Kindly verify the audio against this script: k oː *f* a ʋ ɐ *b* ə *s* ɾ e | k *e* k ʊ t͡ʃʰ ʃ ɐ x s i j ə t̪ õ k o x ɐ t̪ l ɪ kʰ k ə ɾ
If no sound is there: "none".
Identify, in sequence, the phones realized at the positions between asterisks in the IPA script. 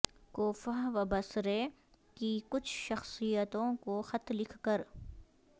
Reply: f, b, s, i

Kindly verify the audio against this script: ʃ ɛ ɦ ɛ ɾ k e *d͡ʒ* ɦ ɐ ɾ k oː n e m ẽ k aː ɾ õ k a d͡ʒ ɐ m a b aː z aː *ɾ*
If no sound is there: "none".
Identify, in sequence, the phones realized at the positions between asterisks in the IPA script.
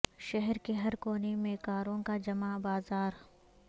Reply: none, ɾ

